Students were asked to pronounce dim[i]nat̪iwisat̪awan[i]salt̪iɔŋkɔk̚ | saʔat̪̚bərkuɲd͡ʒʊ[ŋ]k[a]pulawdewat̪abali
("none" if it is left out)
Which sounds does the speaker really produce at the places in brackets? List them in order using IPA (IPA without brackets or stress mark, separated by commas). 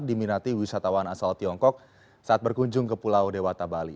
i, a, ŋ, ə